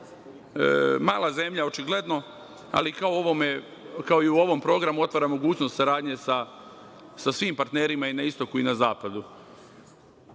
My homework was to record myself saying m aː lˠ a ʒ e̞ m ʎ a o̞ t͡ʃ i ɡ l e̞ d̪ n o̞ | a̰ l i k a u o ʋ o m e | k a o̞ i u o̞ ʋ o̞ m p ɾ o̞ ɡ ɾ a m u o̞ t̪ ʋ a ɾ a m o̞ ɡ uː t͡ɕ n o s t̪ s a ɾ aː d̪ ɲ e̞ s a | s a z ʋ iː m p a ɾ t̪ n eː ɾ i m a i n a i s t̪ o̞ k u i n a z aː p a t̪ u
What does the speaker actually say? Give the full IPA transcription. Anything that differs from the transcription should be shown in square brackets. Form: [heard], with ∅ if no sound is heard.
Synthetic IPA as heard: m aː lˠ a [z] e̞ m ʎ a o̞ t͡ʃ i ɡ l e̞ d̪ n o̞ | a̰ l i k a [o] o ʋ o m e | k a o̞ i u o̞ ʋ o̞ m p ɾ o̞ ɡ ɾ a m u o̞ t̪ ʋ a ɾ a m o̞ ɡ uː t͡ɕ n o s t̪ s a ɾ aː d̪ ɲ e̞ s a | s a [s] ʋ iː m p a ɾ t̪ n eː ɾ i m a i n a i s t̪ o̞ k u i n a z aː p a [d̪] u